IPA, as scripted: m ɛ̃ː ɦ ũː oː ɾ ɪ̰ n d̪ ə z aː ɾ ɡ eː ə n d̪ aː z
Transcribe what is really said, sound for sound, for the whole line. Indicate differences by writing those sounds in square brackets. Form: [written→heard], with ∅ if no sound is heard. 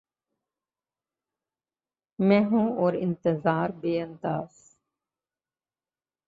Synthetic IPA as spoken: m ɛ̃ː ɦ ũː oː ɾ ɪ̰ n [d̪→t̪] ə z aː ɾ [ɡ→b] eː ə n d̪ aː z